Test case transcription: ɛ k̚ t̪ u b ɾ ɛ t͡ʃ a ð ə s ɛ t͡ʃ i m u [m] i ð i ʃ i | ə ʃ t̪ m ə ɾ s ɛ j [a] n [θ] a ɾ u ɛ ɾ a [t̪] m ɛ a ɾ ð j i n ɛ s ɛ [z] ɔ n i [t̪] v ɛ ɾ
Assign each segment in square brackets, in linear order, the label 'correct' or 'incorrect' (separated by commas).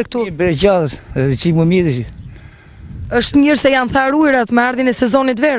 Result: correct, correct, correct, correct, correct, correct